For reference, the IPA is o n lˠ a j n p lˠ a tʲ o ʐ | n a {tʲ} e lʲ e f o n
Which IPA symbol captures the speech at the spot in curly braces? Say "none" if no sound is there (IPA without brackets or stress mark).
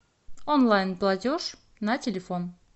tʲ